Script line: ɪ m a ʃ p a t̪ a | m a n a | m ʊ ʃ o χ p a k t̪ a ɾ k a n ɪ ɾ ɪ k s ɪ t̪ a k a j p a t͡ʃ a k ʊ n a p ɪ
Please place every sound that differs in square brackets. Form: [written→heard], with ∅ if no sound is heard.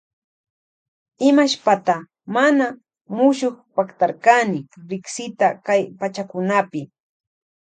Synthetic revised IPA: ɪ m a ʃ p a t̪ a | m a n a | m ʊ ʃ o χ p a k t̪ a ɾ k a n ɪ ɾ ɪ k s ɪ t̪ a k a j p a t͡ʃ a k ʊ n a p ɪ